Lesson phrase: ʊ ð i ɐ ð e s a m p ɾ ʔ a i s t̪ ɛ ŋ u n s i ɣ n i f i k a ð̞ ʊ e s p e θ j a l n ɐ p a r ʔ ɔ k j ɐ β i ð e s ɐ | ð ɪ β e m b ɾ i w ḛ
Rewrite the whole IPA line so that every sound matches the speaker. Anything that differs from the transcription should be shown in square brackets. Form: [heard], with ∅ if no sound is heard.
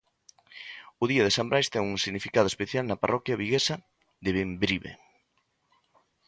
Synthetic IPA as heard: ʊ ð i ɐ ð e s a m [b] ɾ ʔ a [j] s t̪ ɛ ŋ u [ŋ] s i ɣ n i f i k a ð̞ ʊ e s p e θ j a l n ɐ p a r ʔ ɔ k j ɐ β i [ɣ] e s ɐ | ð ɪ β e m b ɾ i [β] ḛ